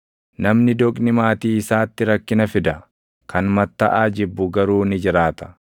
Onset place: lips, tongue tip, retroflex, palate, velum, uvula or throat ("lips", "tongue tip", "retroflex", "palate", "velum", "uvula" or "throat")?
tongue tip